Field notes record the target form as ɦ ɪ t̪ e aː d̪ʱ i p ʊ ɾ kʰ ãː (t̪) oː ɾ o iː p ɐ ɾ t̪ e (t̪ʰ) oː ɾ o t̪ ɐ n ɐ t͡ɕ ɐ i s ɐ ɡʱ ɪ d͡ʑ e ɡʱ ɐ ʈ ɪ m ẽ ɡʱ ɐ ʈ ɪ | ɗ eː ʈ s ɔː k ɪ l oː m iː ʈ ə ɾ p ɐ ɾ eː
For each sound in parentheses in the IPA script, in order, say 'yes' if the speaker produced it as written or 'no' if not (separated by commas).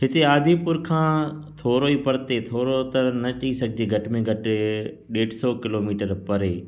no, yes